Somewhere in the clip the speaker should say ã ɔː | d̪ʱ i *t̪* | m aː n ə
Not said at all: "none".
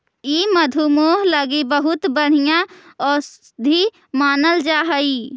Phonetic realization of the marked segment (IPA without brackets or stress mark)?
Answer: none